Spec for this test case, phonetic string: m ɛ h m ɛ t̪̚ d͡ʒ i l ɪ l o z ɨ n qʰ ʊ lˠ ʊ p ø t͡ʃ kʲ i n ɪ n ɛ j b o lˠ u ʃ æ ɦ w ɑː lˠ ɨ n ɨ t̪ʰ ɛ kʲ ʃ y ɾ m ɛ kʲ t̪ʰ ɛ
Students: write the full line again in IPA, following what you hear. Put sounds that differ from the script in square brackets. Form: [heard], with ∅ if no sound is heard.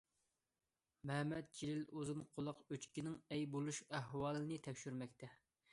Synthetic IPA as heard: m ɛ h m ɛ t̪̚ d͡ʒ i l ɪ l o z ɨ n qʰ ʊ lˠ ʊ [q] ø t͡ʃ kʲ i n ɪ [ŋ] ɛ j b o lˠ u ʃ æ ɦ w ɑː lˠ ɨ n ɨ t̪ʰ ɛ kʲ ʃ y ɾ m ɛ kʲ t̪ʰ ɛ